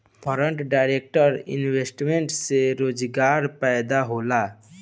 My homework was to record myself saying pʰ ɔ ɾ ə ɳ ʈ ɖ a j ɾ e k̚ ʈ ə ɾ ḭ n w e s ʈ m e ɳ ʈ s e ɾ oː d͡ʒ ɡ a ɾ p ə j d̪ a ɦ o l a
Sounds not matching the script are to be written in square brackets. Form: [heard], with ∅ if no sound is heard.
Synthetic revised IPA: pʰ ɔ ɾ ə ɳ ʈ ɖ a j ɾ e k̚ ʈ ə ɾ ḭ n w e s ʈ m e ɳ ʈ s e ɾ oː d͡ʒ ɡ a ɾ p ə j d̪ a ɦ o l a